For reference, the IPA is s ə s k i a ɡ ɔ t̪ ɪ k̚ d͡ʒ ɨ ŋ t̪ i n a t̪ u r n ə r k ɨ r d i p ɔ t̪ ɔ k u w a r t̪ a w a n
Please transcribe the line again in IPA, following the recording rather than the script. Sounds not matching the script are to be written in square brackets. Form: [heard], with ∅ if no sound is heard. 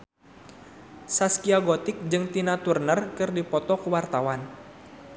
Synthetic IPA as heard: s [a] s k i a ɡ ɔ t̪ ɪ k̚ d͡ʒ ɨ ŋ t̪ i n a t̪ u r n ə r k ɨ r d i p ɔ t̪ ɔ k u w a r t̪ a w a n